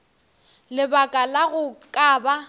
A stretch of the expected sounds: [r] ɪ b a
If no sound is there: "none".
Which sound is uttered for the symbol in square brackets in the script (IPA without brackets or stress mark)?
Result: l